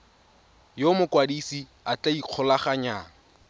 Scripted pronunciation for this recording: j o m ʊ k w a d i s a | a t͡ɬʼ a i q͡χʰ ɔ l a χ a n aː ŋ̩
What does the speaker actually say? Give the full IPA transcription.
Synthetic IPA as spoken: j o m ʊ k w a d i s i | a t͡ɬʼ a i q͡χʰ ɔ l a χ a ɲ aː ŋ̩